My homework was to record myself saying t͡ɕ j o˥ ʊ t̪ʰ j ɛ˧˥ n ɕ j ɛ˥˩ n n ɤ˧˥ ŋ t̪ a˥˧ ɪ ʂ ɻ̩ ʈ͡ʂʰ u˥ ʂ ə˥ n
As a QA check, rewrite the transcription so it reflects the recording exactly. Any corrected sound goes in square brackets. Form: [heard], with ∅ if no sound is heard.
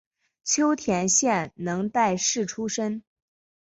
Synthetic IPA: [t͡ɕʰ] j o˥ ʊ t̪ʰ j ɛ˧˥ n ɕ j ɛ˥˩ n n ɤ˧˥ ŋ t̪ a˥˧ ɪ ʂ ɻ̩ ʈ͡ʂʰ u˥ ʂ ə˥ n